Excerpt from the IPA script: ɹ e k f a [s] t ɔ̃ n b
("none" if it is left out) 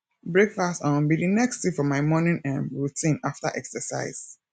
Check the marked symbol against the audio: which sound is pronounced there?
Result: s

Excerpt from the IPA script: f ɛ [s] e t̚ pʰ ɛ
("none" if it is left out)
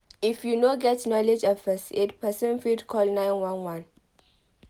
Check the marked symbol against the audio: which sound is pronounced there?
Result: s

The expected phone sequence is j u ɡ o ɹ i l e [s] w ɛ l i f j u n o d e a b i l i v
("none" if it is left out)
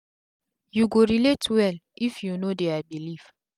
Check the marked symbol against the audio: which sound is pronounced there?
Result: t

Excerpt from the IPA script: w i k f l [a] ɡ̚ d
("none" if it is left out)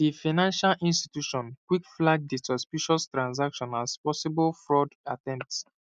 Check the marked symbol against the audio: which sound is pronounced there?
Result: a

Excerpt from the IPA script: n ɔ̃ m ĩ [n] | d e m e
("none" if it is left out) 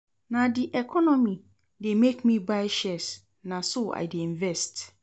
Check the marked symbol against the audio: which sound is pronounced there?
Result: none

